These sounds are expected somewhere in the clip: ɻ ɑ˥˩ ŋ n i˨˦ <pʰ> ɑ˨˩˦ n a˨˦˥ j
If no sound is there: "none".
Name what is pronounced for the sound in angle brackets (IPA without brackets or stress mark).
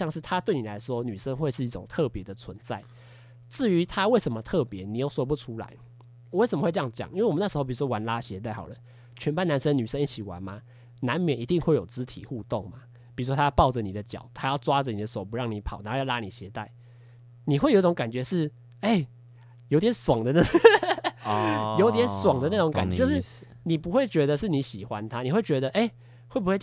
pʰ